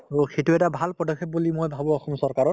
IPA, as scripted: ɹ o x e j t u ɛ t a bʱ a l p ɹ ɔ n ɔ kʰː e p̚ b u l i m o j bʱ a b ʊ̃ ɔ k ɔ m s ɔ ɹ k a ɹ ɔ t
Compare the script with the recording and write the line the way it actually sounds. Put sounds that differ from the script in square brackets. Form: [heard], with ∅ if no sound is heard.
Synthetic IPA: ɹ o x e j t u ɛ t a bʱ a l p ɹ ɔ [d] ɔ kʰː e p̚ b u l i m o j bʱ a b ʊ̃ ɔ [x] ɔ m s ɔ ɹ k a ɹ ɔ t

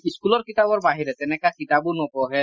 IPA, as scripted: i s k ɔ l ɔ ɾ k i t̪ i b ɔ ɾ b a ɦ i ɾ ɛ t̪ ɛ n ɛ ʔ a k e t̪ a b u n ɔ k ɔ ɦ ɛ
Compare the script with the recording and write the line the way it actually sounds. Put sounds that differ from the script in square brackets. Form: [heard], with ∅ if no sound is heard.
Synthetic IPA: i s k [u] l ɔ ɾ k i t̪ [a] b ɔ ɾ b a ɦ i ɾ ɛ t̪ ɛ n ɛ [k] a k [i] t̪ a b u n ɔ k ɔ ɦ ɛ

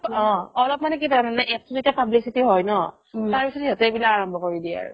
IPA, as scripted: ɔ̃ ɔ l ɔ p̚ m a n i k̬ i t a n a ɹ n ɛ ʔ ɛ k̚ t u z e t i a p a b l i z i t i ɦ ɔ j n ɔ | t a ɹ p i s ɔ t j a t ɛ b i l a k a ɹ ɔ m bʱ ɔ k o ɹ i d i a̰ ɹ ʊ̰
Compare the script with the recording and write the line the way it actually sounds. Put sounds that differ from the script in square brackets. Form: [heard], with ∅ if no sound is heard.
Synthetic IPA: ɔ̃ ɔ l ɔ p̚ m a n [ɛ] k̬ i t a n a [∅] n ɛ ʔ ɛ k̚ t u z e t i a p a b l i [s] i t i ɦ ɔ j n ɔ | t a ɹ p i s ɔ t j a t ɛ b i l a k a ɹ ɔ m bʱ ɔ k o ɹ i d i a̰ ɹ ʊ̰

